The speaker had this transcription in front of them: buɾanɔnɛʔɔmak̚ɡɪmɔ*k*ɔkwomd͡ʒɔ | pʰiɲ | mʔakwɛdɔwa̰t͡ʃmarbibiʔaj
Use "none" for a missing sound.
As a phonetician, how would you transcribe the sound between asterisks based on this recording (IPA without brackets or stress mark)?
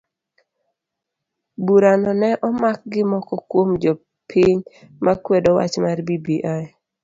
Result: k